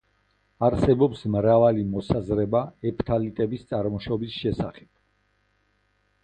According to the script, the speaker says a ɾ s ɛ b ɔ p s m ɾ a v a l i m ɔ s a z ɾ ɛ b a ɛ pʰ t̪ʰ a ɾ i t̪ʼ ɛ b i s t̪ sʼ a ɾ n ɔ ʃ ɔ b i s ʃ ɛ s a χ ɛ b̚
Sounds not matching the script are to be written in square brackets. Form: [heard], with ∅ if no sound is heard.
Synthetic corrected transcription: a ɾ s ɛ b ɔ p s m ɾ a v a l i m ɔ s a z ɾ ɛ b a ɛ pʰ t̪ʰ a [l] i t̪ʼ ɛ b i s t̪ sʼ a ɾ [m] ɔ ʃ ɔ b i s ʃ ɛ s a χ ɛ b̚